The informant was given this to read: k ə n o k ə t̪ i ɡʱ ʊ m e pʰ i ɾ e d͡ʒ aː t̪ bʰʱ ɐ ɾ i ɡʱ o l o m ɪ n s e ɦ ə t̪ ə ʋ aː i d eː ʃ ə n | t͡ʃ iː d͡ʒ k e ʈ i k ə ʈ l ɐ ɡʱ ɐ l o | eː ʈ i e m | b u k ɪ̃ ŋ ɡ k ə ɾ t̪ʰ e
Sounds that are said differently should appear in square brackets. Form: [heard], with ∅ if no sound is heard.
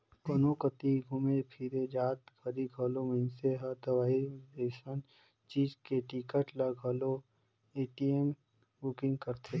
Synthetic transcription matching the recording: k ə n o k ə t̪ i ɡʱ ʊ m e pʰ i ɾ e d͡ʒ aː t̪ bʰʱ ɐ ɾ i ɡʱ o l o m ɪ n s e ɦ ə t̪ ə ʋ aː i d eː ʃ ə n | t͡ʃ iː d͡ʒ k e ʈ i k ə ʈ l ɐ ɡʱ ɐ l o | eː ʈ i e m | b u k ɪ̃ ŋ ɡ k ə ɾ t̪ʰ e